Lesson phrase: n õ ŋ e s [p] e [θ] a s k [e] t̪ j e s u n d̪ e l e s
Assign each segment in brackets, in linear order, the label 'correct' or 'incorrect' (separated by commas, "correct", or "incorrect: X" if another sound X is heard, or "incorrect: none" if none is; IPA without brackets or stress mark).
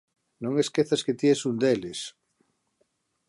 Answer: incorrect: k, correct, correct